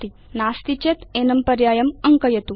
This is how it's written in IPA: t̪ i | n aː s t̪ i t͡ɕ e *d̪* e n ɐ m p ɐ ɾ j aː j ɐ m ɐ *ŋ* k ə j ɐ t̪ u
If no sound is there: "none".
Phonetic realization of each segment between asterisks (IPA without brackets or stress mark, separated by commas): t̪, ŋ